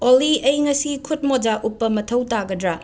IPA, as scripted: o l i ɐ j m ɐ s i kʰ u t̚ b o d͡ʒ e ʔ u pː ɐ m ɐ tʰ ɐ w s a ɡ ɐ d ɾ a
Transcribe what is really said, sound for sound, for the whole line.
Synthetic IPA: o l i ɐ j ŋ ɐ s i kʰ u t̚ m o d͡ʒ a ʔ u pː ɐ m ɐ tʰ ɐ w t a ɡ ɐ d ɾ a

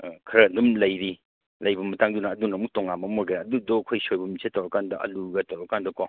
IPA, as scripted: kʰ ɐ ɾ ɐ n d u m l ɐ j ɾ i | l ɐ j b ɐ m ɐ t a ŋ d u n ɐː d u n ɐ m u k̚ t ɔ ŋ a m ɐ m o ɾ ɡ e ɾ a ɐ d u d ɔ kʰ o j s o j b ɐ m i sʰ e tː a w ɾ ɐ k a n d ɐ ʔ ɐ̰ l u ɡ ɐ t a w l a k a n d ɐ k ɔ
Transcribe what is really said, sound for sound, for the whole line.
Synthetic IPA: kʰ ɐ ɾ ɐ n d u m l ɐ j ɾ i | l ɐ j b ɐ m ɐ t a ŋ d u n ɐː d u n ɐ m u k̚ t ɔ ŋ a m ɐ m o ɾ ɡ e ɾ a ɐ d u d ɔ kʰ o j s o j b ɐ m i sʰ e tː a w ɾ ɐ k a n d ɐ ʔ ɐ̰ l u ɡ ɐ t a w ɾ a k a n d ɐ k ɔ

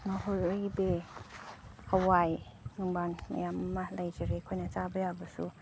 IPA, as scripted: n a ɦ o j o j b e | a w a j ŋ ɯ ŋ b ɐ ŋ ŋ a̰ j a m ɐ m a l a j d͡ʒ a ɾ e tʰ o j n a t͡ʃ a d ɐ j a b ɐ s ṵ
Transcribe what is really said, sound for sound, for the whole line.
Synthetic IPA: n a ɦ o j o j b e | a w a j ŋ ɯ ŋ b a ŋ m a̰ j a m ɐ m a l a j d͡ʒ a ɾ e kʰ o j n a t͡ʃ a b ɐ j a b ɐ s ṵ

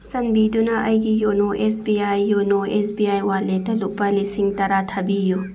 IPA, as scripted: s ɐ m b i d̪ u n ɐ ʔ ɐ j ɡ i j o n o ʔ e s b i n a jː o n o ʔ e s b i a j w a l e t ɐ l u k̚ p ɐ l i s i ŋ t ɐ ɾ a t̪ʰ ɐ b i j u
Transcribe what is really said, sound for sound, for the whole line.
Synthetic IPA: s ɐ n b i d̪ u n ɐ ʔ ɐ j ɡ i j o n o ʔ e s b i a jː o n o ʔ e s b i a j w a l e t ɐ l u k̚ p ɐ l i s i ŋ t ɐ ɾ a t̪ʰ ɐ b i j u

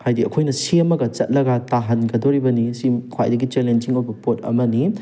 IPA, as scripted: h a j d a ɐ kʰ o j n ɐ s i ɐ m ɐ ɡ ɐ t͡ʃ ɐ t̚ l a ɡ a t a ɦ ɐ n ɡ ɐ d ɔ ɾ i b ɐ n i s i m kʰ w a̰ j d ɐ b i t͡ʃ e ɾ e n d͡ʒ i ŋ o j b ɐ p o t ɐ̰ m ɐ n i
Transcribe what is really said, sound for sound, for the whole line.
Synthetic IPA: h a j d i ɐ kʰ o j n ɐ s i ɐ m ɐ ɡ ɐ t͡ʃ ɐ t̚ l ɐ ɡ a t a ɦ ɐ n ɡ ɐ d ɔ ɾ i b ɐ n i s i m kʰ w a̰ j d ɐ ɡ i t͡ʃ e l e n d͡ʒ i ŋ o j b ɐ p o t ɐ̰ m ɐ n i

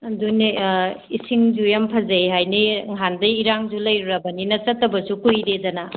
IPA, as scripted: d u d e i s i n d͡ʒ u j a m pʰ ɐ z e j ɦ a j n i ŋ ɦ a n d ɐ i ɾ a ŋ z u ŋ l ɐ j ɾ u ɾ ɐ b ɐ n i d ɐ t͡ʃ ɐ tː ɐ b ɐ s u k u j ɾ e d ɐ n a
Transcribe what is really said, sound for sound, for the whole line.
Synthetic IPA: d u n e i s i ŋ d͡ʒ u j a m pʰ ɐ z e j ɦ a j n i ŋ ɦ a n d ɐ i ɾ a ŋ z u l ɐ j ɾ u ɾ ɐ b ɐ n i n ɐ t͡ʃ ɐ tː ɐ b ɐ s u k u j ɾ e d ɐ n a

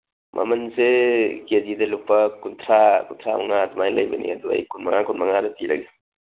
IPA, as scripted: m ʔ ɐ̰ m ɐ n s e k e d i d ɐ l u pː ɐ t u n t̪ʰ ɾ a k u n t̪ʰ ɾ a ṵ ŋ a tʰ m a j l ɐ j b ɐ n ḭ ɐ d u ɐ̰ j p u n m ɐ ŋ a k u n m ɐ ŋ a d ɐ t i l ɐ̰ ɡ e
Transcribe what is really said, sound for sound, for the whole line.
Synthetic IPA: m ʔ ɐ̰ m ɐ n s e k e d i d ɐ l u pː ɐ k u n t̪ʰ ɾ a k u n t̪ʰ ɾ a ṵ ŋ a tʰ m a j l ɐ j b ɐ n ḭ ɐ d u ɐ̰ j k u n m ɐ ŋ a k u n m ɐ ŋ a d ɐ t i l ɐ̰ ɡ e

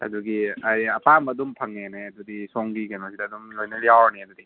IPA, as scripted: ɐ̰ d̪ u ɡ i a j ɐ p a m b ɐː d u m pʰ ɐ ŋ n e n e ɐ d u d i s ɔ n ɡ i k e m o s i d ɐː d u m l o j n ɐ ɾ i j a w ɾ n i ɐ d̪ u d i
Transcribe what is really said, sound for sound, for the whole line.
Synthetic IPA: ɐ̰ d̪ u ɡ i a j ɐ p a m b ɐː d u m pʰ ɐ ŋ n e n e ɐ d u d i s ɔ ŋ ɡ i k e n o s i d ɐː d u m l o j n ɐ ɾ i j a w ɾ n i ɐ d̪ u d i

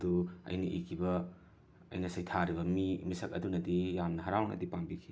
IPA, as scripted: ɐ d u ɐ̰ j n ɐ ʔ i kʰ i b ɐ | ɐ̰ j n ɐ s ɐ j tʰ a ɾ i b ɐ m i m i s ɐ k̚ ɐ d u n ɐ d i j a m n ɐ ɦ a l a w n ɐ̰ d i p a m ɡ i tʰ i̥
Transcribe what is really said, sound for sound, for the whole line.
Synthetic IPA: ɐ d u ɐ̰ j n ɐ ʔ i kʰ i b ɐ | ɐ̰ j n ɐ s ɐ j tʰ a ɾ i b ɐ m i m i s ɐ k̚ ɐ d u n ɐ d i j a m n ɐ ɦ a ɾ a w n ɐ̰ d i p a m b i kʰ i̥

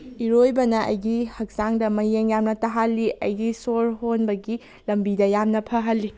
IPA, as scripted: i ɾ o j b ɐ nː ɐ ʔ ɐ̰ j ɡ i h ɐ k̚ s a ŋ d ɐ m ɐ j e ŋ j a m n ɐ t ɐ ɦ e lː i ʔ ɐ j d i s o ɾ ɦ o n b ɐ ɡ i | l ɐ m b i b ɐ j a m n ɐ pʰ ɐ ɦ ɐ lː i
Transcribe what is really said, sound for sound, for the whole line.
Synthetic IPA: i ɾ o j b ɐ n ɐ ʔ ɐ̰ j ɡ i h ɐ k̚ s a ŋ d ɐ m ɐ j e ŋ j a m n ɐ t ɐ ɦ a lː i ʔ ɐ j ɡ i s o ɾ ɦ o n b ɐ ɡ i | l ɐ m b i d ɐ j a m n ɐ pʰ ɐ ɦ ɐ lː i

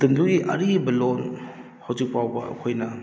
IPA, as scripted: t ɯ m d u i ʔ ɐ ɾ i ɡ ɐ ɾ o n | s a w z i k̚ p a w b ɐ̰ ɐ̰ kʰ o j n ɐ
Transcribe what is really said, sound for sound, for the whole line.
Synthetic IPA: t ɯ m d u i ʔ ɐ ɾ i b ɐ l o n | h a w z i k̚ p a w b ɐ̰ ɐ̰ kʰ o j n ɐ

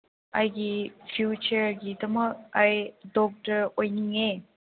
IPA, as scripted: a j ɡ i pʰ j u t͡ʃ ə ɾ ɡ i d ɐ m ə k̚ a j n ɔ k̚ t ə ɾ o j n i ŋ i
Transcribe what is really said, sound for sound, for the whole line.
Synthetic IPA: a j ɡ i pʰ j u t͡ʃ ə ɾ ɡ i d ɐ m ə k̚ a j d ɔ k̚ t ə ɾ o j n i ŋ e

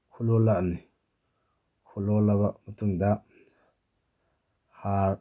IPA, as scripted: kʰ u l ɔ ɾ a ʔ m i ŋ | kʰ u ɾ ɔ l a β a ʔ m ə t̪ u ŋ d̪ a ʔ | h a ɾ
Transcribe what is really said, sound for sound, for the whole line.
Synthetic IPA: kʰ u l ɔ l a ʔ n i | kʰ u l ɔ l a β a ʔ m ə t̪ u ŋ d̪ a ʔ | h a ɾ

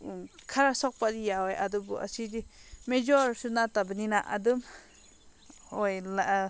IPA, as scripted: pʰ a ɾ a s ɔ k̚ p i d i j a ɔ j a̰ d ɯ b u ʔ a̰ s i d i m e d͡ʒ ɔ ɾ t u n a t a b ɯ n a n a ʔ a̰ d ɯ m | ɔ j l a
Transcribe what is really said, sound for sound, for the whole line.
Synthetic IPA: kʰ a ɾ a s ɔ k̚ p a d i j a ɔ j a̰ d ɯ b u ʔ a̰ s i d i m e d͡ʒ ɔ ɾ s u n a t a b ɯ n i n a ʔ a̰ d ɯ m | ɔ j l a

